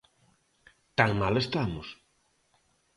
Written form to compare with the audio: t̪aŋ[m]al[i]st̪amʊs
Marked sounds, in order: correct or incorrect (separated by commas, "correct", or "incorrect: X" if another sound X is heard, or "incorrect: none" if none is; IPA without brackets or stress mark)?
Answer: correct, incorrect: e